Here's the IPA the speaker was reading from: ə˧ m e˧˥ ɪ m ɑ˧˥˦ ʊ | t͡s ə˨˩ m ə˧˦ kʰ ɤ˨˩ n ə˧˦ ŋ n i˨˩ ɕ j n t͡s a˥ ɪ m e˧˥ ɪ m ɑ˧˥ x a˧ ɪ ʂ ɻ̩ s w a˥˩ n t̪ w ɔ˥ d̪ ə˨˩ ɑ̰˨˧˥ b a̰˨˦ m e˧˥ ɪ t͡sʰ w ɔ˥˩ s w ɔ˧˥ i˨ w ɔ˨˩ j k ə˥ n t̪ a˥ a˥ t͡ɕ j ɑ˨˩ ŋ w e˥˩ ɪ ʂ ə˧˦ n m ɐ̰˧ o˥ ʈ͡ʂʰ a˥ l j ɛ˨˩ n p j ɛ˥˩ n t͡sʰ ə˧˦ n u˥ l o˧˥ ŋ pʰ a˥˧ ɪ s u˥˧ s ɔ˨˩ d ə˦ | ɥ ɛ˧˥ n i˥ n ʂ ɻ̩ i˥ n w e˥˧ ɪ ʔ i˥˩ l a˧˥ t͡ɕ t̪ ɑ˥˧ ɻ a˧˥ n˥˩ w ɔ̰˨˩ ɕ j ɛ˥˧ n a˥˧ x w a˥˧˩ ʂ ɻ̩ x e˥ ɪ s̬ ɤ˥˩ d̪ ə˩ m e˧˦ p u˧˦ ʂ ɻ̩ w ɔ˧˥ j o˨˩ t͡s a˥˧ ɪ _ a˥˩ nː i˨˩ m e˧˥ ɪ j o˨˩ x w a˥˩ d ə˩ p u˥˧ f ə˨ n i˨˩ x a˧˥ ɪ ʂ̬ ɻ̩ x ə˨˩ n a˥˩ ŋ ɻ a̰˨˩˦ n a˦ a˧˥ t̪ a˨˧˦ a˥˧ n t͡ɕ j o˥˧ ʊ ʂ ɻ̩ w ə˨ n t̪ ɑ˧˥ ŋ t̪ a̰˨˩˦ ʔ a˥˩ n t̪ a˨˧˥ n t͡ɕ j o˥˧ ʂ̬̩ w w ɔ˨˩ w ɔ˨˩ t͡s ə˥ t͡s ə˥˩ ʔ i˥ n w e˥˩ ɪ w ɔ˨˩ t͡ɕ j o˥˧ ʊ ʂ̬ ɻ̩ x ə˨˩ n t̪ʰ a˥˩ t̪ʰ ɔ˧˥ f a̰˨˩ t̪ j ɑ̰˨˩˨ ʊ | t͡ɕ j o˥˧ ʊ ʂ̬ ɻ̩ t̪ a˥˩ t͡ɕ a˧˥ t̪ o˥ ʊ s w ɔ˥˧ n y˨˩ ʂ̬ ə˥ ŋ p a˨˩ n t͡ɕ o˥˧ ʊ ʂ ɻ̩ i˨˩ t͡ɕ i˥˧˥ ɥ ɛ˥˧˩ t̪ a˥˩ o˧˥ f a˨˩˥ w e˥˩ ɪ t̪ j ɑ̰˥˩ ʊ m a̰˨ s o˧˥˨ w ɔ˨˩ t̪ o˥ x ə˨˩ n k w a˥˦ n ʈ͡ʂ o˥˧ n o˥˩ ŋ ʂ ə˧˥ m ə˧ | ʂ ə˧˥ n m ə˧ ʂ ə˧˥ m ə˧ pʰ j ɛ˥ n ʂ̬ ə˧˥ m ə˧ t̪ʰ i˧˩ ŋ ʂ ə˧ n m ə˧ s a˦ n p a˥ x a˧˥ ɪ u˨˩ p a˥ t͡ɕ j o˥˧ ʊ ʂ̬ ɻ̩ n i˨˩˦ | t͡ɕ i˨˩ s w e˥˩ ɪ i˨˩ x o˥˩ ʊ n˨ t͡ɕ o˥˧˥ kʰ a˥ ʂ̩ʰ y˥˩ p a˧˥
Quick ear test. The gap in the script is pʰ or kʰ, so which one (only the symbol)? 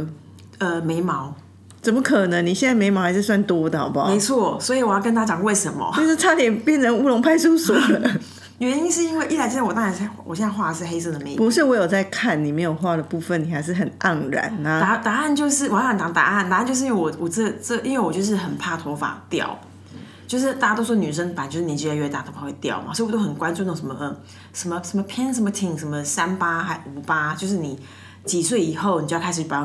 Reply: kʰ